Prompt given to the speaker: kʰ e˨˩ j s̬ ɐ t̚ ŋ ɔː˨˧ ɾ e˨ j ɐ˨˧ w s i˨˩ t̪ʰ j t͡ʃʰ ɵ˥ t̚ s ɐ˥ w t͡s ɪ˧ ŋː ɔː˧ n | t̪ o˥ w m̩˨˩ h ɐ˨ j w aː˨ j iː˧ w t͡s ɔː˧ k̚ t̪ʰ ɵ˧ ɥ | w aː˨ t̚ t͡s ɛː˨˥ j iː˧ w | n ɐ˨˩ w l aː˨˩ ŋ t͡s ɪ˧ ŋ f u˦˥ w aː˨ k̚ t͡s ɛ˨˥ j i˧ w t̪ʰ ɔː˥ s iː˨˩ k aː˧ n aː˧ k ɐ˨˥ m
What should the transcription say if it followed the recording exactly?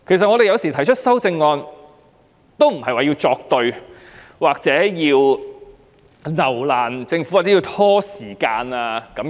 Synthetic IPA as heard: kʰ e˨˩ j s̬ ɐ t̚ ŋ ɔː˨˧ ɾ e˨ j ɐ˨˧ w s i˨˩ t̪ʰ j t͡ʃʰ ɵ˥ t̚ s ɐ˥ w t͡s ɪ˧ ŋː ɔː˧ n | t̪ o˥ w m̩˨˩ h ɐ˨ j w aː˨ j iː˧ w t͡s ɔː˧ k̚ t̪ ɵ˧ ɥ | w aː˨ k̚ t͡s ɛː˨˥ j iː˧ w | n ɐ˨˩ w l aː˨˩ n t͡s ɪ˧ ŋ f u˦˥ w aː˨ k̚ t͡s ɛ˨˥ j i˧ w t̪ʰ ɔː˥ s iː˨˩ k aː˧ n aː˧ k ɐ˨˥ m